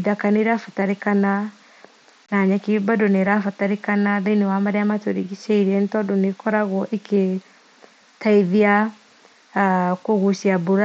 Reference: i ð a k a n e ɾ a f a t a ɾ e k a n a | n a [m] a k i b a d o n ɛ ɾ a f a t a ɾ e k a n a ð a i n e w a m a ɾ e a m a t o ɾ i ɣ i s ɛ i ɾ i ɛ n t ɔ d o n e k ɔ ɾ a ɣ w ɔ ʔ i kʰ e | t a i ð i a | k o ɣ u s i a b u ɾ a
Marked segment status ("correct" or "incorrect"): incorrect